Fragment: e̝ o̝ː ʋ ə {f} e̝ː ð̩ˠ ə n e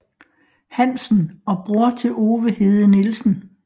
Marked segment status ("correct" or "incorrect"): incorrect